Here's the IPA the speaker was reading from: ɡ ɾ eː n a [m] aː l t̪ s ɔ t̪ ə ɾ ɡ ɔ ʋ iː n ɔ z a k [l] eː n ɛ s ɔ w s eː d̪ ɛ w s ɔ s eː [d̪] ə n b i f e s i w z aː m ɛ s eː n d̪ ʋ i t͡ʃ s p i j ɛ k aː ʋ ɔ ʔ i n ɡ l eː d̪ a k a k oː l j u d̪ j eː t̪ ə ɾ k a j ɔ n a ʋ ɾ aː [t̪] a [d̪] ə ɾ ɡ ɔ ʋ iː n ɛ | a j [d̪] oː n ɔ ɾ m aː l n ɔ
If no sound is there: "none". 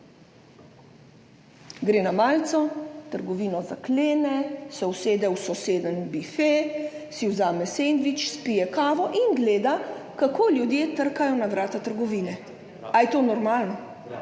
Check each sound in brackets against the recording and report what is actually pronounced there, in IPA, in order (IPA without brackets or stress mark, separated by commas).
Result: m, l, d̪, t̪, t̪, t̪